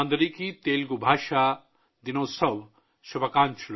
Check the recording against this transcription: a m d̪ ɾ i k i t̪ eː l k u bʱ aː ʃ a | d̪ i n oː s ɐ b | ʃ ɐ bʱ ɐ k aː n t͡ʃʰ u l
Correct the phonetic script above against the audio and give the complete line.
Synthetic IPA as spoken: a n d̪ ɾ i k i t̪ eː l ɡ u bʱ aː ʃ a | d̪ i n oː s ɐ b | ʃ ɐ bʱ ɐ k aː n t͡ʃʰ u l